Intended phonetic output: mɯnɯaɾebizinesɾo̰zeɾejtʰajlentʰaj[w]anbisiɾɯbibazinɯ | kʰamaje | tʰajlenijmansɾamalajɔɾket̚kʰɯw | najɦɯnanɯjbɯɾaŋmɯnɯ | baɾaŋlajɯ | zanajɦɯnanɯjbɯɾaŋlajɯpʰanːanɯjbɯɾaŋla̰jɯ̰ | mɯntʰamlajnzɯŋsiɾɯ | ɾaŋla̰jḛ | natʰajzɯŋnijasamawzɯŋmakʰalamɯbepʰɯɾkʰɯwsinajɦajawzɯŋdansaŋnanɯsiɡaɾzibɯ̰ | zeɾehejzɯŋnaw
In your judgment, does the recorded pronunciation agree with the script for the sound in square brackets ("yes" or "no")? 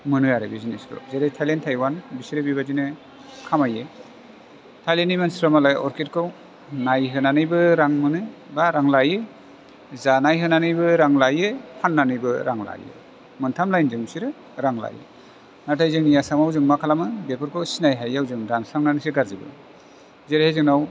yes